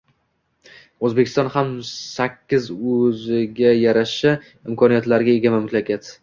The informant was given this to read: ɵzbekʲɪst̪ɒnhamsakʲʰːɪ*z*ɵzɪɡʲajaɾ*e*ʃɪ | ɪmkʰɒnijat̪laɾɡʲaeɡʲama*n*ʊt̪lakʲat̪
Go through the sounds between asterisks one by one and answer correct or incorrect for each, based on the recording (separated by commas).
correct, incorrect, incorrect